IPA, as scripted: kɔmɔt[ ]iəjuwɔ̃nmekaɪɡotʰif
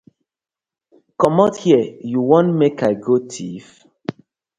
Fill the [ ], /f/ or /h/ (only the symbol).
h